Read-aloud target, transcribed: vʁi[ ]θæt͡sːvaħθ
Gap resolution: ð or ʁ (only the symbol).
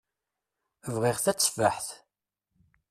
ʁ